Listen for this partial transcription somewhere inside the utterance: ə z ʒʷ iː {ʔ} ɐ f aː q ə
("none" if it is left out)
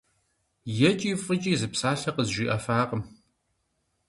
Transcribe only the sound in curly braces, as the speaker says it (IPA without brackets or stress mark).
ʔ